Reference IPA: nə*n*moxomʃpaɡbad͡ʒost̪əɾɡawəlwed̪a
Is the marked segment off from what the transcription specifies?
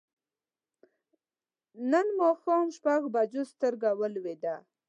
no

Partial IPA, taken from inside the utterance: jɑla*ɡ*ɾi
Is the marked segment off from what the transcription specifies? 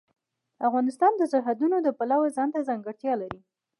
yes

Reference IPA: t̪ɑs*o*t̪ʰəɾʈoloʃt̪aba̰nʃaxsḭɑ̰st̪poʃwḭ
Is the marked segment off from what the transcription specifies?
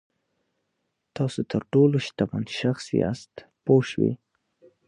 no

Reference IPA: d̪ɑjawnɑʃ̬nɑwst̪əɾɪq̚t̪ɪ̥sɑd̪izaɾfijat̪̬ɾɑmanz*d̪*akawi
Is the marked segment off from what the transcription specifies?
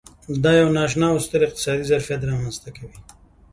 yes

